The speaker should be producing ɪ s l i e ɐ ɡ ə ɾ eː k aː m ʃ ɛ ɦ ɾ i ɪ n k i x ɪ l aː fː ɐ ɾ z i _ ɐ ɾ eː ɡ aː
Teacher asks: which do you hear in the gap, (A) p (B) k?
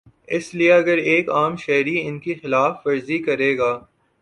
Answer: B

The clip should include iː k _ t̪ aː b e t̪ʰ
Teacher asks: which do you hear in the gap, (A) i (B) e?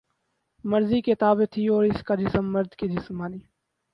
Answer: B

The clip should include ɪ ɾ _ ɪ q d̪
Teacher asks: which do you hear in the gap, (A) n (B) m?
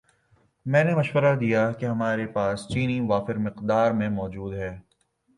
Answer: B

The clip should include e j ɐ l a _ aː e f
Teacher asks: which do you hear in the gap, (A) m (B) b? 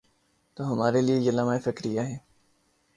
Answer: A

